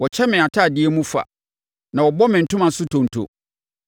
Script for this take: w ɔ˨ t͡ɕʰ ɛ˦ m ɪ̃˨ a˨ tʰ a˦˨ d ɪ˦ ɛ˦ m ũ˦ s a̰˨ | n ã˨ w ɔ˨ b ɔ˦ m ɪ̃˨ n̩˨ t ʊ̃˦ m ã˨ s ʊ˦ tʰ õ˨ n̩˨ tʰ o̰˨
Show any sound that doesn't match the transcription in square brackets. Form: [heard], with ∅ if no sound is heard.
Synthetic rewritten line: w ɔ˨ t͡ɕʰ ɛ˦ m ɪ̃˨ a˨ tʰ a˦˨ d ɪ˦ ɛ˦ m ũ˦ [f] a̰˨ | n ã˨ w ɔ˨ b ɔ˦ m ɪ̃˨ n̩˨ t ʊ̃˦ m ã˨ s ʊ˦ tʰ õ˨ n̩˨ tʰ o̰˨